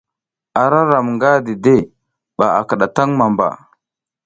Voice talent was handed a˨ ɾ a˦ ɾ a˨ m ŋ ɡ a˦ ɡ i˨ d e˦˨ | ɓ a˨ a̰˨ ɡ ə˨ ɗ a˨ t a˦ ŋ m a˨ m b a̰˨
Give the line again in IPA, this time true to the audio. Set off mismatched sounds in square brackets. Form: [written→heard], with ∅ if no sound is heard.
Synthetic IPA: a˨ ɾ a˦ ɾ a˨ m ŋ ɡ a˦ [ɡ→d] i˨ d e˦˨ | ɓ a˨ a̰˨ [ɡ→k] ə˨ ɗ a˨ t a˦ ŋ m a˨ m b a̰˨